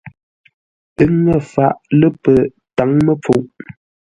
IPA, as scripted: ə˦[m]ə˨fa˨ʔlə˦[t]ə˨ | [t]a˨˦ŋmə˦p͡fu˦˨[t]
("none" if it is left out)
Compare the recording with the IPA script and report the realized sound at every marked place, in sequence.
ŋ, p, t, ʔ

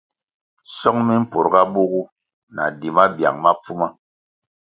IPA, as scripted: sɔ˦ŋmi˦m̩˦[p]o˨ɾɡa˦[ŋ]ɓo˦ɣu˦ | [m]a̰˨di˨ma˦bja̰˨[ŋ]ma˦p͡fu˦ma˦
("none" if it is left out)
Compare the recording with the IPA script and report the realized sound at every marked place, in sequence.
p, none, n, ŋ

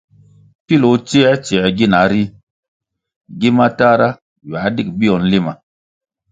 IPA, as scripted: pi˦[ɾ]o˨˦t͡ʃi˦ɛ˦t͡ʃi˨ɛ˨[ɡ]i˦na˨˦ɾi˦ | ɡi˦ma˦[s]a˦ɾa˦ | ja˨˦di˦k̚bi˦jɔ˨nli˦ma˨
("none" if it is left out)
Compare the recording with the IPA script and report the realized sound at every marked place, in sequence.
l, ɡ, t

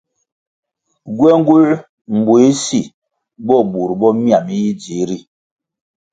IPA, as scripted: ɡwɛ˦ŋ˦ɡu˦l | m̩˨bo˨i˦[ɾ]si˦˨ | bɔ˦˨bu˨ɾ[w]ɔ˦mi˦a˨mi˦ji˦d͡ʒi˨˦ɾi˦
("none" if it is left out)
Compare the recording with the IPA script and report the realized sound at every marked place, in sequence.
none, b

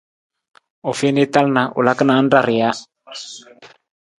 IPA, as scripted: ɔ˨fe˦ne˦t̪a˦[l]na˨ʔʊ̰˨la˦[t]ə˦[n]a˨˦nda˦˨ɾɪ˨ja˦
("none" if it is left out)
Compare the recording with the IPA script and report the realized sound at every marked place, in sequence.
l, k, n

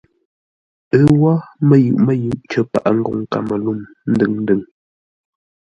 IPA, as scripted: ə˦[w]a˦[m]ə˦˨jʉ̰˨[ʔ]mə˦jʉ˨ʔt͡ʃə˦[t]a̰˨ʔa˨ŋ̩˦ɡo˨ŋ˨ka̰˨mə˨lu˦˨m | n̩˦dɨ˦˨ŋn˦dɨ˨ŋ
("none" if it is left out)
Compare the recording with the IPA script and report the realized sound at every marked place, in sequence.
w, m, ʔ, p

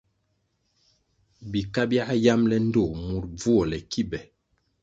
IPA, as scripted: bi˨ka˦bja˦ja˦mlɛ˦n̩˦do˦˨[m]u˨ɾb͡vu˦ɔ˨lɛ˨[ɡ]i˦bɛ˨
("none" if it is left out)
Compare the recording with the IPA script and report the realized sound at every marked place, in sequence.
m, k

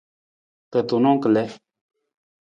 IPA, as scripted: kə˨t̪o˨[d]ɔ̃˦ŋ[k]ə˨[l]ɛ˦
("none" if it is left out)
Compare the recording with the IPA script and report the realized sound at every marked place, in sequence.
n, k, l

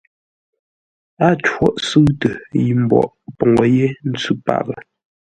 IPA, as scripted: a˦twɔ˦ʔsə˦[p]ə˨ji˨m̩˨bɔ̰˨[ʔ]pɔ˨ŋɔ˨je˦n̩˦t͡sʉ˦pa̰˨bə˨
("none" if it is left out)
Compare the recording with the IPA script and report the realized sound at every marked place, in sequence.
t, ʔ

